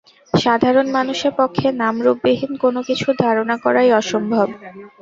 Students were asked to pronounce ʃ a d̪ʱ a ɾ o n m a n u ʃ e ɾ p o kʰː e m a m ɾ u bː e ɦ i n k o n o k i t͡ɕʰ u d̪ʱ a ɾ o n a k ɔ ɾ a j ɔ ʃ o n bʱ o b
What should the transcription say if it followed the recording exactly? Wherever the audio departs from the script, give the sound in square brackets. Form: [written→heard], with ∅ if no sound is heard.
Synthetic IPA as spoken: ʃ a d̪ʱ a ɾ o n m a n u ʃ e ɾ p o kʰː e [m→n] a m ɾ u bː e ɦ i n k o n o k i t͡ɕʰ u d̪ʱ a ɾ o n a k ɔ ɾ a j ɔ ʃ o [n→m] bʱ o b